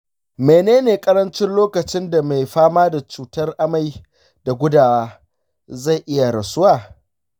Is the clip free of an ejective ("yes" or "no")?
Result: no